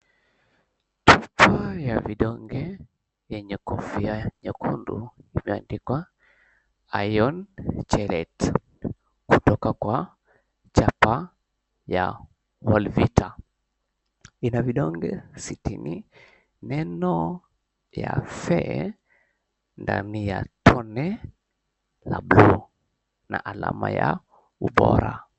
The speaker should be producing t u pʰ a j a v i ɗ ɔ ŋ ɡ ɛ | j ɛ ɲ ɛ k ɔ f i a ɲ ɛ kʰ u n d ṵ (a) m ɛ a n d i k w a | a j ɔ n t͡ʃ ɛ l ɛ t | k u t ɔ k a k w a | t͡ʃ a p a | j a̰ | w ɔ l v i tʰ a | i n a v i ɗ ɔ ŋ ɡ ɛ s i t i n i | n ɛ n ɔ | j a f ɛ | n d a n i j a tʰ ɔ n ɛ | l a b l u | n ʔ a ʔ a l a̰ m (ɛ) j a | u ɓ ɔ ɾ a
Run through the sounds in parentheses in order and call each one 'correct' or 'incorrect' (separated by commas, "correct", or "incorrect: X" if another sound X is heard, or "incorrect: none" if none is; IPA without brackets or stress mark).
incorrect: i, incorrect: a